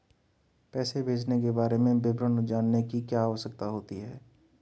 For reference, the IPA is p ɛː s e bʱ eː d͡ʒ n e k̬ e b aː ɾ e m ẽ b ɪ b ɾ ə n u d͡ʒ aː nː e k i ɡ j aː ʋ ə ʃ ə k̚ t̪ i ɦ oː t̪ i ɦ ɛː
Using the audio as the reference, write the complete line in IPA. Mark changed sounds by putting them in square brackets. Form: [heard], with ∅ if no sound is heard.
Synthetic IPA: p ɛː s e bʱ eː d͡ʒ n e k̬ e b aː ɾ e m ẽ b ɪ b ɾ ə n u d͡ʒ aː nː e k i [k] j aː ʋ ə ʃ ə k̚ t̪ [a] ɦ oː t̪ i ɦ ɛː